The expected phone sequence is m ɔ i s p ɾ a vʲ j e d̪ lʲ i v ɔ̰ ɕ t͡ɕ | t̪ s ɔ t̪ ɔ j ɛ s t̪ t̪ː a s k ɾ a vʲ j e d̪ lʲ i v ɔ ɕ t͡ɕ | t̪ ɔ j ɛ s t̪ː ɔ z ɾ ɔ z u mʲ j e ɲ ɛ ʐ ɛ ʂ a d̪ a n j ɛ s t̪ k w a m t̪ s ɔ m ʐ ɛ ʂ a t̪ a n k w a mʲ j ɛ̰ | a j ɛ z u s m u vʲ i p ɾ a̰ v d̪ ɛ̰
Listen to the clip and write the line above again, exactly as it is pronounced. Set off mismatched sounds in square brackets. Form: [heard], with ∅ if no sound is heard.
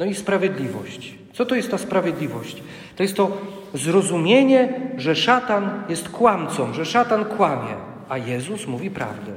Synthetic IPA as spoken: [n] ɔ i s p ɾ a vʲ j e d̪ lʲ i v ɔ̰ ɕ t͡ɕ | t̪ s ɔ t̪ ɔ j ɛ s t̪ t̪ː a s [p] ɾ a vʲ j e d̪ lʲ i v ɔ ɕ t͡ɕ | t̪ ɔ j ɛ s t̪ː ɔ z ɾ ɔ z u mʲ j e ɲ ɛ ʐ ɛ ʂ a [t̪] a n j ɛ s t̪ k w a m t̪ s ɔ m ʐ ɛ ʂ a t̪ a n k w a mʲ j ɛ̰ | a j ɛ z u s m u vʲ i p ɾ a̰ v d̪ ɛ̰